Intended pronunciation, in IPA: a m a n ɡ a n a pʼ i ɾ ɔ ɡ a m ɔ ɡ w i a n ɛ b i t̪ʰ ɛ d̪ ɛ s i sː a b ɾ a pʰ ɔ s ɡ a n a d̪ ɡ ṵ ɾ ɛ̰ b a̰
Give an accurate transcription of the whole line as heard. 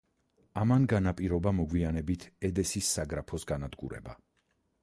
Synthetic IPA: a m a n ɡ a n a pʼ i ɾ ɔ b a m ɔ ɡ w i a n ɛ b i t̪ʰ ɛ d̪ ɛ s i sː a ɡ ɾ a pʰ ɔ s ɡ a n a d̪ ɡ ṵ ɾ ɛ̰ b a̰